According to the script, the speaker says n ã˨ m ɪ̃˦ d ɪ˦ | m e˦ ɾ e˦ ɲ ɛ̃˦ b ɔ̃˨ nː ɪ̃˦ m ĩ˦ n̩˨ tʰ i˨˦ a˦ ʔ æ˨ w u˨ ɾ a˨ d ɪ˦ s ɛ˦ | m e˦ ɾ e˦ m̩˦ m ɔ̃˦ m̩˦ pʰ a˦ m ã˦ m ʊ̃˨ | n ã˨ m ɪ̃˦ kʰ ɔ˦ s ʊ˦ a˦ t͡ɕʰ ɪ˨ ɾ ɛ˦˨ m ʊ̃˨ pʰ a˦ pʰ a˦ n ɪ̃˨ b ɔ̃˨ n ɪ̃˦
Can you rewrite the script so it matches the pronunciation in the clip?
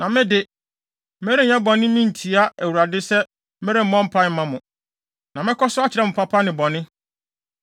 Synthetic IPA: n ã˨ m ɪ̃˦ d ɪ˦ | m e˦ ɾ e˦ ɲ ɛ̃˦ b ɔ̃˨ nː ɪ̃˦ m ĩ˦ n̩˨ tʰ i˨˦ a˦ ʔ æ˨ w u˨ ɾ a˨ d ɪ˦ s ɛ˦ | m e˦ ɾ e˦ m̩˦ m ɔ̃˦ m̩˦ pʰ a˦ m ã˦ m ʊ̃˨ | n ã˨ m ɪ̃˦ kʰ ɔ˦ s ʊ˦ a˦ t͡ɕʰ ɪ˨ ɾ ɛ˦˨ m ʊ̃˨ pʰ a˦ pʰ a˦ n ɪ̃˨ b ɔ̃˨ n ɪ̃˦